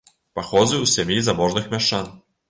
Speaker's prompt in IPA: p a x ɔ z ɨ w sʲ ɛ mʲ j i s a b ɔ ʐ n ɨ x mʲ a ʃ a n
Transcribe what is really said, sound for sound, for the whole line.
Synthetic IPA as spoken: p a x ɔ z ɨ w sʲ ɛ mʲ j i z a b ɔ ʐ n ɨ x mʲ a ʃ a n